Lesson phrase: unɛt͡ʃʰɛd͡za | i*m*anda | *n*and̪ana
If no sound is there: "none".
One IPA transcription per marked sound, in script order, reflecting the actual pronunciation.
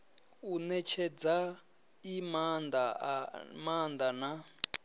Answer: m, m

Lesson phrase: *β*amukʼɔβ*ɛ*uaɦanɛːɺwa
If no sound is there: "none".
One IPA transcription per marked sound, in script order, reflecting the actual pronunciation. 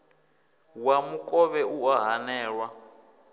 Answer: w, ɛ

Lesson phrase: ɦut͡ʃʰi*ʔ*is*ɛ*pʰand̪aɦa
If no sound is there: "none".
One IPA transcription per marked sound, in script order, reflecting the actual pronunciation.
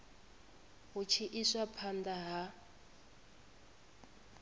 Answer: ʔ, a

